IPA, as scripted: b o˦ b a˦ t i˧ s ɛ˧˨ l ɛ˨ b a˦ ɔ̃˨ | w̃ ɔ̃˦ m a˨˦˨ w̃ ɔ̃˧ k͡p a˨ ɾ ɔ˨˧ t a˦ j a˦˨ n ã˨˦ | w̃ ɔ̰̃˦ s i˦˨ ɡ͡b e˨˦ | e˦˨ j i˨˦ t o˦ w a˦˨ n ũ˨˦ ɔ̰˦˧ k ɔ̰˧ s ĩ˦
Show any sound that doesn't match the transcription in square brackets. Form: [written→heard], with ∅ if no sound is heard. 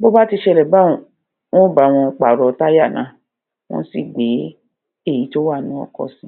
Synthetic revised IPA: b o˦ b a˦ t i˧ [s→ʃ] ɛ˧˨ l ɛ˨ b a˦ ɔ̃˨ | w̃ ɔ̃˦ [m→b] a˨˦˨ w̃ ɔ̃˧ k͡p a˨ ɾ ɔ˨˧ t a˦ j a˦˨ n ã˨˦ | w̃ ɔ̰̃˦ s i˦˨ ɡ͡b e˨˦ | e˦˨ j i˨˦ t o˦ w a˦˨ n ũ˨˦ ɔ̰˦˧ k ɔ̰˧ s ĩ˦